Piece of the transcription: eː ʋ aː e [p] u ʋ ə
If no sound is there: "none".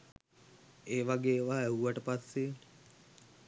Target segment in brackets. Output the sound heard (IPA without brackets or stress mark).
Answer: none